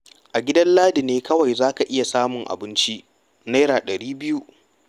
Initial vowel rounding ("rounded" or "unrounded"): unrounded